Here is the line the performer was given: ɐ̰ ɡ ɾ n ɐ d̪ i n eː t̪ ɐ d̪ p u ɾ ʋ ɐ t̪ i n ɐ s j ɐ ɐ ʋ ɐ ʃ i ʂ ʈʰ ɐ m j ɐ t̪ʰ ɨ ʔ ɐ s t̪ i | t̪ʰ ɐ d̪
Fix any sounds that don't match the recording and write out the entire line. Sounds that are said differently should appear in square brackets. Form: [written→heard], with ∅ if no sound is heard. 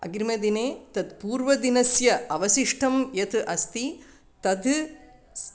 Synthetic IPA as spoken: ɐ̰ ɡ ɾ [n→m] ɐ d̪ i n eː t̪ ɐ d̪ p [u→uː] ɾ ʋ ɐ [t̪→d̪] i n ɐ s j ɐ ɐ ʋ ɐ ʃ i ʂ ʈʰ ɐ m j ɐ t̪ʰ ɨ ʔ ɐ s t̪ i | [t̪ʰ→t̪] ɐ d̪

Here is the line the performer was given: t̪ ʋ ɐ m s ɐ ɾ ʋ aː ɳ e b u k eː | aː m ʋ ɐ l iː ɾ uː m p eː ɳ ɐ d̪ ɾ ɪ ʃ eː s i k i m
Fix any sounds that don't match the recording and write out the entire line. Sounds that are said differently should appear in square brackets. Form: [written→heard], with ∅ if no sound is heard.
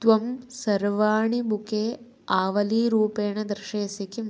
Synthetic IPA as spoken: t̪ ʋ ɐ m s ɐ ɾ ʋ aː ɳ [e→i] b u k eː | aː [m→∅] ʋ ɐ l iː ɾ uː [m→∅] p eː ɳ ɐ d̪ ɾ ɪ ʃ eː s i k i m

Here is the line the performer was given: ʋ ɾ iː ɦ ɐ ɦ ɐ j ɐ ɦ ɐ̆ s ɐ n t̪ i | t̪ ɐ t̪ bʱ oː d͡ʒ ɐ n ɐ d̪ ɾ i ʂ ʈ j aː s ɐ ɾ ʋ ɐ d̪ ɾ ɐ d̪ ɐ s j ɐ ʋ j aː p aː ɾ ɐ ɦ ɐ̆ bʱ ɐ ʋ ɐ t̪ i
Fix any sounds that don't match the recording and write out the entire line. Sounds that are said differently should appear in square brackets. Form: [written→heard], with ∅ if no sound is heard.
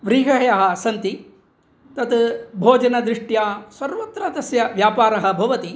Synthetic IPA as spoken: ʋ ɾ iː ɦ ɐ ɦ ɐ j ɐ ɦ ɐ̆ s ɐ n t̪ i | t̪ ɐ t̪ bʱ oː d͡ʒ ɐ n ɐ d̪ ɾ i ʂ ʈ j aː s ɐ ɾ ʋ ɐ [d̪→t̪] ɾ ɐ d̪ ɐ s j ɐ ʋ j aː p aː ɾ ɐ ɦ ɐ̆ bʱ ɐ ʋ ɐ t̪ i

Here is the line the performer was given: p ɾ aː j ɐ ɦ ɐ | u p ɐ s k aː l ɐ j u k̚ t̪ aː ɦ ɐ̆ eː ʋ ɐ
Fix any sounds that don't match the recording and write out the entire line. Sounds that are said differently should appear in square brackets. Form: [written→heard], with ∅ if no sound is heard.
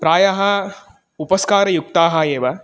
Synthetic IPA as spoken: p ɾ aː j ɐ ɦ ɐ | u p ɐ s k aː [l→ɾ] ɐ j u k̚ t̪ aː ɦ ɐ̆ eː ʋ ɐ

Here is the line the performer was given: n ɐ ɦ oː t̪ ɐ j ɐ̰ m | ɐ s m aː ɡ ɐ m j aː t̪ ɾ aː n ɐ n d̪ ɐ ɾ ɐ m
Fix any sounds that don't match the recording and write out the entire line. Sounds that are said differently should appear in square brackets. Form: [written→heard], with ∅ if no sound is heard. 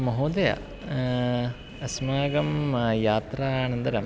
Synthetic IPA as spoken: [n→m] ɐ ɦ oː [t̪→d̪] ɐ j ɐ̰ [m→∅] | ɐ s m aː ɡ ɐ m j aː t̪ ɾ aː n ɐ n d̪ ɐ ɾ ɐ m

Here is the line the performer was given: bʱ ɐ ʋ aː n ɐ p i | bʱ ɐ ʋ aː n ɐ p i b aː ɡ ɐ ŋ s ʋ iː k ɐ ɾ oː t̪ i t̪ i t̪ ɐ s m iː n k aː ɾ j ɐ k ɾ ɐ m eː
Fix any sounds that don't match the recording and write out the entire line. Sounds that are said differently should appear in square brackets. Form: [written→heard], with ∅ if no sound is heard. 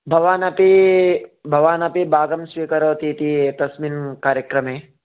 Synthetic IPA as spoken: bʱ ɐ ʋ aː n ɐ p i | bʱ ɐ ʋ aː n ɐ p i b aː ɡ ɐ [ŋ→m] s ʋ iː k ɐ ɾ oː t̪ i t̪ i t̪ ɐ s m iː n k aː ɾ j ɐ k ɾ ɐ m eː

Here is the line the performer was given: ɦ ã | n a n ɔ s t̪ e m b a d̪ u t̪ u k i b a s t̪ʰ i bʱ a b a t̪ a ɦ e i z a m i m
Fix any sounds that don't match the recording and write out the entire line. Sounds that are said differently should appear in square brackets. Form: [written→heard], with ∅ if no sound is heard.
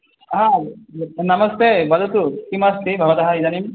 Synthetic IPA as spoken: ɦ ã | n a [n→m] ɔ s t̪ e [m→∅] b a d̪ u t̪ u k i [b→m] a s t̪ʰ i bʱ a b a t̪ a ɦ [e→a] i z a [m→n] i m

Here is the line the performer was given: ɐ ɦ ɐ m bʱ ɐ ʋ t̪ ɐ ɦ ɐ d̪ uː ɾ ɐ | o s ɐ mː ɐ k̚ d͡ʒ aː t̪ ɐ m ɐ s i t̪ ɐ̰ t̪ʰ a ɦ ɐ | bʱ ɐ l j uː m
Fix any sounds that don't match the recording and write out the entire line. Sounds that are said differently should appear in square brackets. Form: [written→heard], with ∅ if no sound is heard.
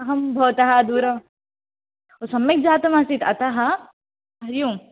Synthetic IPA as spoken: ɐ ɦ ɐ m bʱ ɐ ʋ t̪ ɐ ɦ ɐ d̪ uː ɾ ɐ | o s ɐ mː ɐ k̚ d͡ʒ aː t̪ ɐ m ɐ s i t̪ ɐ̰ [t̪ʰ→t̪] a ɦ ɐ | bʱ ɐ [l→ɾ] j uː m

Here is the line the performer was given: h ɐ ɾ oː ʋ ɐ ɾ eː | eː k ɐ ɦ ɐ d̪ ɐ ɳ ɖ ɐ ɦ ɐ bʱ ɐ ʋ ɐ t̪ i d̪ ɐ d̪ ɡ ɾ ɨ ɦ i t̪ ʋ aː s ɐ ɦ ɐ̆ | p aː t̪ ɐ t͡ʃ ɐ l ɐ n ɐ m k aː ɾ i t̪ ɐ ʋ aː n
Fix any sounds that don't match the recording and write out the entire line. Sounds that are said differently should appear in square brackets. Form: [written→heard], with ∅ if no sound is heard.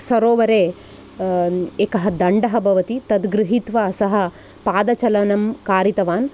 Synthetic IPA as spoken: [h→s] ɐ ɾ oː ʋ ɐ ɾ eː | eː k ɐ ɦ ɐ d̪ ɐ ɳ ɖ ɐ ɦ ɐ bʱ ɐ ʋ ɐ t̪ i [d̪→t̪] ɐ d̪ ɡ ɾ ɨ ɦ i t̪ ʋ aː s ɐ ɦ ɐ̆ | p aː [t̪→d̪] ɐ t͡ʃ ɐ l ɐ n ɐ m k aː ɾ i t̪ ɐ ʋ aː n

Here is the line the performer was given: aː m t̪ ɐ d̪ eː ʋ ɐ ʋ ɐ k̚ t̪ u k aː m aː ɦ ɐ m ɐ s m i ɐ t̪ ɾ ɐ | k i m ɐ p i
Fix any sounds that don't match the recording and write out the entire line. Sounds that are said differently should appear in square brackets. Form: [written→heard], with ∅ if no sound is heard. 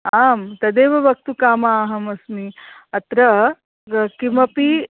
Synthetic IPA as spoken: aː m t̪ ɐ d̪ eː ʋ ɐ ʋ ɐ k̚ t̪ u k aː m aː ɦ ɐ m ɐ s m i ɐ t̪ ɾ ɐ | k i m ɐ p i

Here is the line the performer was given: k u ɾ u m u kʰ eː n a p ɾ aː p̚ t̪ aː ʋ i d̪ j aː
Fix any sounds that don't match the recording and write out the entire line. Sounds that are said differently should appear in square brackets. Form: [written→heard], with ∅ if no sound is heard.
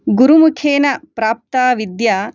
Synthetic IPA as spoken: [k→ɡ] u ɾ u m u kʰ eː n [a→ɐ] p ɾ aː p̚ t̪ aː ʋ i d̪ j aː

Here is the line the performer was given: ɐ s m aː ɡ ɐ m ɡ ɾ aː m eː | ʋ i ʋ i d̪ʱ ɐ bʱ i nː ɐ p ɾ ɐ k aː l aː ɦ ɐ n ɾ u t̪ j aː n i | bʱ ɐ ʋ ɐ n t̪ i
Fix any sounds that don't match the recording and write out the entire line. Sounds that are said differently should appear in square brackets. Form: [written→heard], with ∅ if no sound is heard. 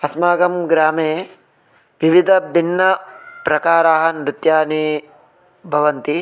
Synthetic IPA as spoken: ɐ s m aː ɡ ɐ m ɡ ɾ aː m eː | ʋ i ʋ i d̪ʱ ɐ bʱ i nː ɐ p ɾ ɐ k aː [l→ɾ] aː ɦ ɐ n ɾ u t̪ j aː n i | bʱ ɐ ʋ ɐ n t̪ i

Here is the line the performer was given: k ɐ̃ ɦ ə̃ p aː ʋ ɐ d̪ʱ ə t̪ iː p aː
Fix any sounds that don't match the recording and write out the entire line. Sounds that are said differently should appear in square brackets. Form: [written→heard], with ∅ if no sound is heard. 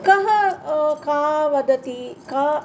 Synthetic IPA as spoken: k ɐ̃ ɦ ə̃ [p→k] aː ʋ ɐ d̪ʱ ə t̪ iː [p→k] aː

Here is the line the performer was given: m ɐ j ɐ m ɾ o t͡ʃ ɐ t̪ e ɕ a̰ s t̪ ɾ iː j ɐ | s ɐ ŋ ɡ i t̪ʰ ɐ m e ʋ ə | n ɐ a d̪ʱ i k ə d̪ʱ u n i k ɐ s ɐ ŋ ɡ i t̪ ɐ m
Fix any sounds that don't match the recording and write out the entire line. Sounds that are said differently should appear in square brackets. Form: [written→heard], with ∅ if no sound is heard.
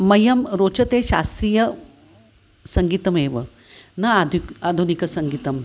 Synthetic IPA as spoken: m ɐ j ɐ m ɾ o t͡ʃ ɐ t̪ e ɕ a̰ s t̪ ɾ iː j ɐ | s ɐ ŋ ɡ i [t̪ʰ→t̪] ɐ m e ʋ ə | n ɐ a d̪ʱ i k [ə→a] d̪ʱ u n i k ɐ s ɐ ŋ ɡ i t̪ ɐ m

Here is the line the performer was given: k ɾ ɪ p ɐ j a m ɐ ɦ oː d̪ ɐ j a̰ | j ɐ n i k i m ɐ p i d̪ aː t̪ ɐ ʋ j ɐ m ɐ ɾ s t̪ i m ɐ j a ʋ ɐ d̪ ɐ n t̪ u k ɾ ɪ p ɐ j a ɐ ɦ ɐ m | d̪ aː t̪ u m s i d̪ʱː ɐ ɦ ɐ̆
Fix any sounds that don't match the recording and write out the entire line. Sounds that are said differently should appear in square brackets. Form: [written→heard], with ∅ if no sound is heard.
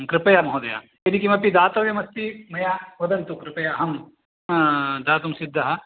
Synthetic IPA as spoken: k ɾ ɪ p ɐ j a m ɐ ɦ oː d̪ ɐ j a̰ | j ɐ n i k i m ɐ p i d̪ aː t̪ ɐ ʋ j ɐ m ɐ [ɾ→∅] s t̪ i m ɐ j a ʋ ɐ d̪ ɐ n t̪ u k ɾ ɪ p ɐ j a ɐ ɦ ɐ m | d̪ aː t̪ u m s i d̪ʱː ɐ ɦ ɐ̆

